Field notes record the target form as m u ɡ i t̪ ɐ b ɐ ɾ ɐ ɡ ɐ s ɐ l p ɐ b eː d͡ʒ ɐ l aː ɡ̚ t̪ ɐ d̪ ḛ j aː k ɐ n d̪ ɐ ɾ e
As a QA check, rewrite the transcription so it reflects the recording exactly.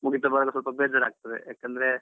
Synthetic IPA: m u ɡ i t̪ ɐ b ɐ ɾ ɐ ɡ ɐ s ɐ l p ɐ b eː d͡ʒ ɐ ɾ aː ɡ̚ t̪ ɐ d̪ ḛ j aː k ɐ n d̪ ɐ ɾ e